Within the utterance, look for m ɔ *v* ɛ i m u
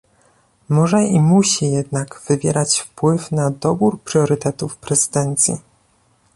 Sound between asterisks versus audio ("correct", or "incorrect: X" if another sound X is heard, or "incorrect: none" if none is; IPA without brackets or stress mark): incorrect: ʐ